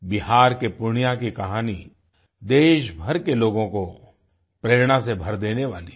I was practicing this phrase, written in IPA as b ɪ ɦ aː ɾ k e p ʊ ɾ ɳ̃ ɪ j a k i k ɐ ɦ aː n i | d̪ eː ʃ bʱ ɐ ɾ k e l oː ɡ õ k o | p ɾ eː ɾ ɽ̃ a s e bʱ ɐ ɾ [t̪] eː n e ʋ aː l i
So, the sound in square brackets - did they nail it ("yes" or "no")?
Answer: no